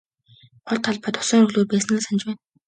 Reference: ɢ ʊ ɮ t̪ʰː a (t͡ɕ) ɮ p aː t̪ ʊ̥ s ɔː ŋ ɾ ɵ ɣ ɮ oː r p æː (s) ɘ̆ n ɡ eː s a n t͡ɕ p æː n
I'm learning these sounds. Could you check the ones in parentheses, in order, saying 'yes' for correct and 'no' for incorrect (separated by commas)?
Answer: no, yes